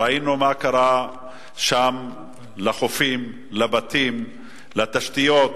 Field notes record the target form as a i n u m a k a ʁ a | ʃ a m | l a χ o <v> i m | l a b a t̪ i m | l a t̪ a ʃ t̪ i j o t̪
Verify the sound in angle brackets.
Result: incorrect: f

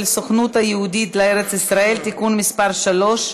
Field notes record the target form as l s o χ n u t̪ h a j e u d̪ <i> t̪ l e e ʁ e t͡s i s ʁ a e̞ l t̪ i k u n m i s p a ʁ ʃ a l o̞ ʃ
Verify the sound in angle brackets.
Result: correct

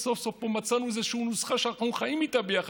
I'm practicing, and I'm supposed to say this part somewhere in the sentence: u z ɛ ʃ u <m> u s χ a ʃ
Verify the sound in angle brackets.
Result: incorrect: n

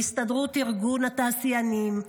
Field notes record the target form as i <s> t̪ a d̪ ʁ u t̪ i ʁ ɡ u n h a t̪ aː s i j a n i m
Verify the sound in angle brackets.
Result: correct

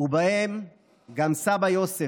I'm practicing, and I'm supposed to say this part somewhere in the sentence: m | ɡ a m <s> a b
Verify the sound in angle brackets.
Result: correct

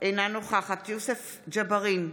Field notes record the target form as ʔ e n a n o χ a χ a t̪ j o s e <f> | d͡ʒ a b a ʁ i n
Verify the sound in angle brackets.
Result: correct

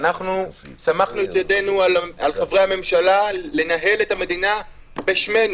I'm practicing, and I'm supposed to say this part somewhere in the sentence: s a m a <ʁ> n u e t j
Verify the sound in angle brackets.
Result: incorrect: χ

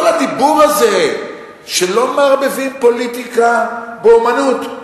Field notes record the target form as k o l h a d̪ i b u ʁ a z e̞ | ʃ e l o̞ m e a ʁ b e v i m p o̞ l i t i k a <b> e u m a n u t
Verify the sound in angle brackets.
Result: correct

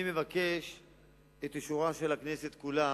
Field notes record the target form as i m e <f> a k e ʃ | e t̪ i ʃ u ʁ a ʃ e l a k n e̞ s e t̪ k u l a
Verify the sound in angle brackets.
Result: incorrect: v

